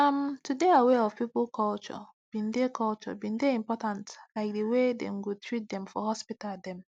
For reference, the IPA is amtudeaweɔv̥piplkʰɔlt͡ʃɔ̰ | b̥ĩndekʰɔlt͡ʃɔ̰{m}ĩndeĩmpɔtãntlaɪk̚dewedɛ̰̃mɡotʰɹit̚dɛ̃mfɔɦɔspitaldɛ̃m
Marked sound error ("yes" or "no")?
yes